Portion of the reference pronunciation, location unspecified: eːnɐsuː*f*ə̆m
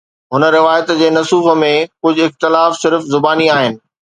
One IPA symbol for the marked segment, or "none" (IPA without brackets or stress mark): f